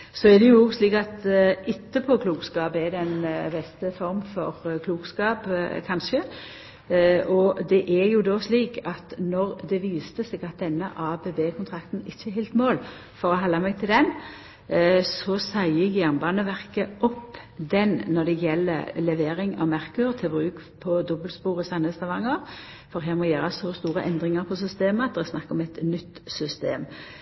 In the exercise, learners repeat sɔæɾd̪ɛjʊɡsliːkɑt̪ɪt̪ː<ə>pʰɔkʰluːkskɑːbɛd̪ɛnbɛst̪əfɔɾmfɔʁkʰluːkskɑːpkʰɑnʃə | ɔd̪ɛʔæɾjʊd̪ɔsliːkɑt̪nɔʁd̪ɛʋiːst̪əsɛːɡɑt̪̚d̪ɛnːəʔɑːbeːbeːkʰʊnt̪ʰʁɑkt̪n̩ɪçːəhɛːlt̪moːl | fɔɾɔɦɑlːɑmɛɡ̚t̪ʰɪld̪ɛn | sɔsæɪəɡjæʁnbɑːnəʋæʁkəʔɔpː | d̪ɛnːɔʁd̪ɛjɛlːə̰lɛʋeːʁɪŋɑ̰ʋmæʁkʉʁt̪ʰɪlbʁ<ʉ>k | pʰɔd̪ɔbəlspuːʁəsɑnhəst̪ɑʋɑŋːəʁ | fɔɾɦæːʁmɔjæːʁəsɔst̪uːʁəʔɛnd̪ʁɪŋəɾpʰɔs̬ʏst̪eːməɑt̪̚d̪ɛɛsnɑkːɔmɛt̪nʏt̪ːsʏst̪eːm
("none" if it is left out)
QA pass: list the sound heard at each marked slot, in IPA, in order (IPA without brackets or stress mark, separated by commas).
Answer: ə, ʉː